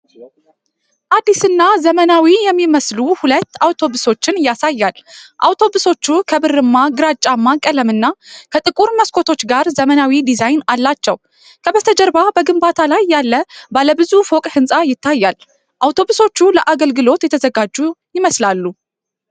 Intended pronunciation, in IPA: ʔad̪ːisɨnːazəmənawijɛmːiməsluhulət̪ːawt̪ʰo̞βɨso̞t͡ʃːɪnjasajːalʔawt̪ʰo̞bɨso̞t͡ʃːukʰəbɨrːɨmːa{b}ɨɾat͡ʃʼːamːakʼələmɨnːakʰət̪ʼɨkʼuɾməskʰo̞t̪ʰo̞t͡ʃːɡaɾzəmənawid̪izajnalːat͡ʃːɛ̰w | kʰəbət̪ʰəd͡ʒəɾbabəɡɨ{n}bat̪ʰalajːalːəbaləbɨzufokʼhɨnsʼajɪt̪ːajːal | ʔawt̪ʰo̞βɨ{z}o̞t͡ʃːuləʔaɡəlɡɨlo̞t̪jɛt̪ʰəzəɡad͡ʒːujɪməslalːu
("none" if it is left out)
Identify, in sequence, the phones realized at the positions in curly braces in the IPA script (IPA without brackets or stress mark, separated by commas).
ɡ, m, s